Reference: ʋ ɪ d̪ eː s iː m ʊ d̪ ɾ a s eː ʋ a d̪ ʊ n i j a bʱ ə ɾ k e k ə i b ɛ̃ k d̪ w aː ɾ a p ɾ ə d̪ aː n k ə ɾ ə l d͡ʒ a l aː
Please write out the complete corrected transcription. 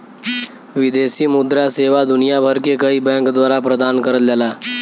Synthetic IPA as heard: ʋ ɪ d̪ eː s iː m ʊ d̪ ɾ a s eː ʋ a d̪ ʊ n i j a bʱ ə ɾ k e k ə i b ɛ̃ k d̪ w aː ɾ a p ɾ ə d̪ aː n k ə ɾ ə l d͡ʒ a l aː